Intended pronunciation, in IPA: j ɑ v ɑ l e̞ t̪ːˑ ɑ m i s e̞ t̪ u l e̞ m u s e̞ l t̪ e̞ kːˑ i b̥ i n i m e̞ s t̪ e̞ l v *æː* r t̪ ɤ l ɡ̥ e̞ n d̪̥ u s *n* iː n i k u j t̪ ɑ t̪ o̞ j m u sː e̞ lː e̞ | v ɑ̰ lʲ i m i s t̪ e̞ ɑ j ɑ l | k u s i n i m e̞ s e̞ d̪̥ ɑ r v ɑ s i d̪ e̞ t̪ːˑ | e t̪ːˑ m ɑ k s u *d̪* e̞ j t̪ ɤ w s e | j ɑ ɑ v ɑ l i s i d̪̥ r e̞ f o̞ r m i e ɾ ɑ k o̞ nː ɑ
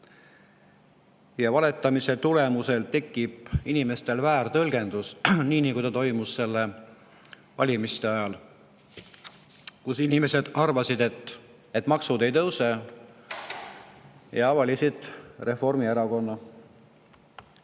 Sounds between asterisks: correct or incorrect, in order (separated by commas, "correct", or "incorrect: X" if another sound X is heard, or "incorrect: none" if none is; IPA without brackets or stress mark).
correct, correct, correct